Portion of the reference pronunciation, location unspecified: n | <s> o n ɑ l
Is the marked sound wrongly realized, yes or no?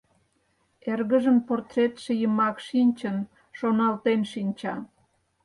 yes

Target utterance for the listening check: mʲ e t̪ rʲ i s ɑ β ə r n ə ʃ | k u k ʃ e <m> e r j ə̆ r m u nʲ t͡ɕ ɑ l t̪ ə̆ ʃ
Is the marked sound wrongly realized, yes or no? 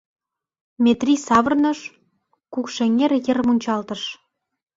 yes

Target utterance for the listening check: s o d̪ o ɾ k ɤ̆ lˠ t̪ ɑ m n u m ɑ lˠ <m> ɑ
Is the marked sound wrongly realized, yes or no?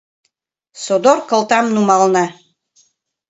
yes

